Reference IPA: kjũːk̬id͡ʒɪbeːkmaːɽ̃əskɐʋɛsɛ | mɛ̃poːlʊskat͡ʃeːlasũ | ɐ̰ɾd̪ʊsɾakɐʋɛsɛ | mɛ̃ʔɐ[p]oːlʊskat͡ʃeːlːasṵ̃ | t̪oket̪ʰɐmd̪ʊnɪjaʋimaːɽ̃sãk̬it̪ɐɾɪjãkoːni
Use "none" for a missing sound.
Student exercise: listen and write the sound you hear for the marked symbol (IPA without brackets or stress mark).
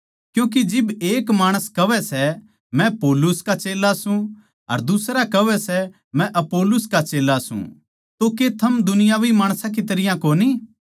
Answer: p